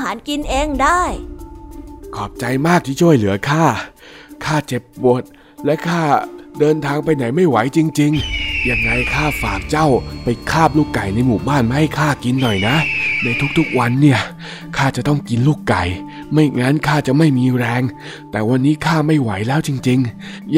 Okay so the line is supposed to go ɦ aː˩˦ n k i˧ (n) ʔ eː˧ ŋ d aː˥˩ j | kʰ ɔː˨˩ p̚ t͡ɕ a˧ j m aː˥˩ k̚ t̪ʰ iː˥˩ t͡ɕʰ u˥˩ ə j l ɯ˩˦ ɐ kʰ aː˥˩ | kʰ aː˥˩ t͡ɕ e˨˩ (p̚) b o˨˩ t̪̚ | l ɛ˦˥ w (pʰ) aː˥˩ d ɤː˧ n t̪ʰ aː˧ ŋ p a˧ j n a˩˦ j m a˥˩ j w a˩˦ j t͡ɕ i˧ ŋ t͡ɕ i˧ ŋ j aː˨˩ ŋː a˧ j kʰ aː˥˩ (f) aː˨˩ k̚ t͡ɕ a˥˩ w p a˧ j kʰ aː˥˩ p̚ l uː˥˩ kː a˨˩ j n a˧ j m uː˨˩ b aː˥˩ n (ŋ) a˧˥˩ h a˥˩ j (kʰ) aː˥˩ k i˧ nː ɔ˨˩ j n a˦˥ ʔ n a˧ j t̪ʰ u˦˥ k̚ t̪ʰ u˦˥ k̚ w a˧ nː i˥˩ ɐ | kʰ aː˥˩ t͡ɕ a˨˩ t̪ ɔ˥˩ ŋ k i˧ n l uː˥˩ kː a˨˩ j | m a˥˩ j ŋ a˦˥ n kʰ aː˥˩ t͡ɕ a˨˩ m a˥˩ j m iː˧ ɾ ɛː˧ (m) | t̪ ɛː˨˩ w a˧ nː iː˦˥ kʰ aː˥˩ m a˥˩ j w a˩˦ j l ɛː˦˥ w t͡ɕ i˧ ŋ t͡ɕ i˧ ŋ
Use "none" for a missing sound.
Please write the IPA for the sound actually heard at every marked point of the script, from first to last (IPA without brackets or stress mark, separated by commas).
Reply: n, p̚, kʰ, f, m, kʰ, ŋ